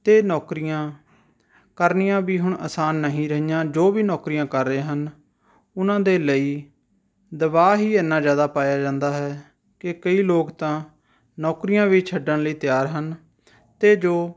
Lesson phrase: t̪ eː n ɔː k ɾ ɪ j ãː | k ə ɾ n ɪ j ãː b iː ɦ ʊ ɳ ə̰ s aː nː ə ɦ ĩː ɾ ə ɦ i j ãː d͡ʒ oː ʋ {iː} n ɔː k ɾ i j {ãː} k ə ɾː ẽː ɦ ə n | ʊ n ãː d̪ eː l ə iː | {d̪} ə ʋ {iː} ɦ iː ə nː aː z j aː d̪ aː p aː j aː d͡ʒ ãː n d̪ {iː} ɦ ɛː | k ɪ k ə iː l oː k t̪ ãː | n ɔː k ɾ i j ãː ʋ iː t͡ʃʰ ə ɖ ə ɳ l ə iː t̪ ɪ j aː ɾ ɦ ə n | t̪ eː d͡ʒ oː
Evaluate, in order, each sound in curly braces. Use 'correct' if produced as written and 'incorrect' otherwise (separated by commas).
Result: correct, correct, correct, incorrect, incorrect